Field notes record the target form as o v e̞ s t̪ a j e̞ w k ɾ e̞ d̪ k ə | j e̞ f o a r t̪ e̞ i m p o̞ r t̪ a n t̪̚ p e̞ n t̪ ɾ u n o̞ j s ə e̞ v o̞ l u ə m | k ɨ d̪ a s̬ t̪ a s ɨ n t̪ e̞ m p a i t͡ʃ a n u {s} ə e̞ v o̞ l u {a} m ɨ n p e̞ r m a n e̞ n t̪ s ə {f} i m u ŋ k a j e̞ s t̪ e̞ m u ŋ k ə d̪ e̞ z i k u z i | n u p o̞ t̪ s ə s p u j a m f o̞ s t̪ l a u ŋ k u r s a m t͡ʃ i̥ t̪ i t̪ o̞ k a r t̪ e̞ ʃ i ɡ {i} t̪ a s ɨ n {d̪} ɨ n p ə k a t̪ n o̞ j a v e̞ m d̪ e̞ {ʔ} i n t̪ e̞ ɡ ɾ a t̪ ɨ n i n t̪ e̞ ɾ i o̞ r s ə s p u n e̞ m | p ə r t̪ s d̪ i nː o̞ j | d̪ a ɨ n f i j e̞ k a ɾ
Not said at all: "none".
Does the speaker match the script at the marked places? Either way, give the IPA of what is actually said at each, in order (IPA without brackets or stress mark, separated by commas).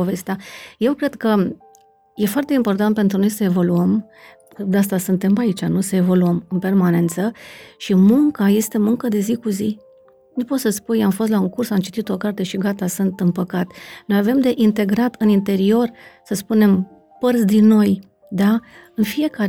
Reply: s, ə, ʃ, a, t̪, ʔ